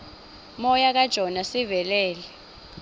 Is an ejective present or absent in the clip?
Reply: absent